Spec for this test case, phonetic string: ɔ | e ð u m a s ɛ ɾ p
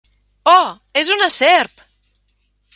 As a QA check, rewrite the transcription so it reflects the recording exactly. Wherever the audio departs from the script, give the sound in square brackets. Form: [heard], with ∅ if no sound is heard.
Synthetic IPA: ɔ | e [z] u [n] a s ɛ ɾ p